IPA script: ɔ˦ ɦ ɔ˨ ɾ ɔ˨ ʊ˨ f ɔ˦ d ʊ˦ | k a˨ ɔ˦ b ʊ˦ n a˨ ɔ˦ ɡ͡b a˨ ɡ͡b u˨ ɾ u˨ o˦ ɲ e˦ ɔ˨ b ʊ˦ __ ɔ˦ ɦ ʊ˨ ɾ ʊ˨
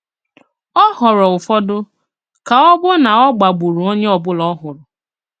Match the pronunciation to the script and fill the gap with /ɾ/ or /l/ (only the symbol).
l